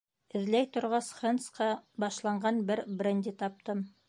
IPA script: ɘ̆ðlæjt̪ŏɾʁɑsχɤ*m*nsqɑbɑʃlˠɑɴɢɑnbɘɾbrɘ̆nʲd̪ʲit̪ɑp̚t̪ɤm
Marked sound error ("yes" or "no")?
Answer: yes